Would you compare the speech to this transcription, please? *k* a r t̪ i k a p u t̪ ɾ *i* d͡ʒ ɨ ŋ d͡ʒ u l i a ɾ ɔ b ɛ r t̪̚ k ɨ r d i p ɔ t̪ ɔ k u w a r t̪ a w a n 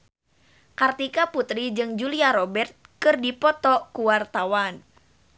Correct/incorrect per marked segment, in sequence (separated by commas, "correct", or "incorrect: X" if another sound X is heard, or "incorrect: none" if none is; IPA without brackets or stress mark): correct, correct